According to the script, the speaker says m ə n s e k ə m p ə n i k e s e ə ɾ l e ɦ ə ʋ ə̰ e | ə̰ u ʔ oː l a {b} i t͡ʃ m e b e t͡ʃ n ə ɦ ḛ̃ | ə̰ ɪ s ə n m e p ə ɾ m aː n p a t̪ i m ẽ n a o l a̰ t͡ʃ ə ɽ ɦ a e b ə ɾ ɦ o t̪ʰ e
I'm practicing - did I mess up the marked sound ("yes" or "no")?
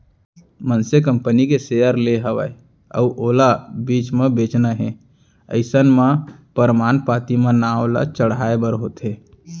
no